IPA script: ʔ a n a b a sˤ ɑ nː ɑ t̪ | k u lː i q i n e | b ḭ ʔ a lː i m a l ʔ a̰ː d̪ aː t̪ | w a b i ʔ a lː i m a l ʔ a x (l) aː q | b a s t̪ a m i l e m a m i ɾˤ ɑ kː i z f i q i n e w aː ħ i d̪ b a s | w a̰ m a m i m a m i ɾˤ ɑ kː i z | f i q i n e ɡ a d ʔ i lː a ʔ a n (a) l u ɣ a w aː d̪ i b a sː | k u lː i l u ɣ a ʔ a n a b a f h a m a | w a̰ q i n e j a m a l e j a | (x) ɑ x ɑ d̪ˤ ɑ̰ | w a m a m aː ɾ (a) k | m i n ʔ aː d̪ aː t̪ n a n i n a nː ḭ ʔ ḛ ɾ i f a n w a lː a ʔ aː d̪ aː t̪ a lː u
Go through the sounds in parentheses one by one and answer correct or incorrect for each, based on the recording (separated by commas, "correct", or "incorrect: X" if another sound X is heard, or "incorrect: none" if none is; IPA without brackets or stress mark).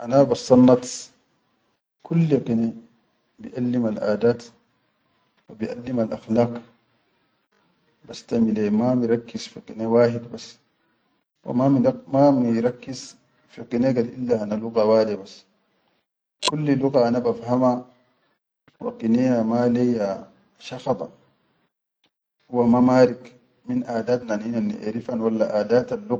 correct, correct, incorrect: ʃ, incorrect: i